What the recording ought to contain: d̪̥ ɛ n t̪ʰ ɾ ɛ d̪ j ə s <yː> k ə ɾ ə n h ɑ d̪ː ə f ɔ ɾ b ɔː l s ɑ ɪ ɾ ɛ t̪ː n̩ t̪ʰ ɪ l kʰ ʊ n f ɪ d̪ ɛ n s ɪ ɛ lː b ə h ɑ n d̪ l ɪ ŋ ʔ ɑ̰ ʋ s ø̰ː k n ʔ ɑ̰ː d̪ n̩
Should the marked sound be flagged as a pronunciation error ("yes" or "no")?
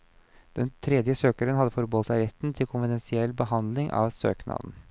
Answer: yes